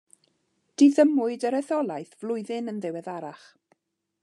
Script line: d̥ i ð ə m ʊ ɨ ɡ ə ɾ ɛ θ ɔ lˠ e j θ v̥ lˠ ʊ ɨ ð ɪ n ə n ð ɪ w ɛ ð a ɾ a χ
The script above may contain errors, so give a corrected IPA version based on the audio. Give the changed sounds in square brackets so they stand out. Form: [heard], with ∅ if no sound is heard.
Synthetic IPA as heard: d̥ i ð ə m ʊ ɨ [d] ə ɾ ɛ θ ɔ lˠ [a] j θ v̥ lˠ ʊ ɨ ð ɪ n ə n ð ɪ w ɛ ð a ɾ a χ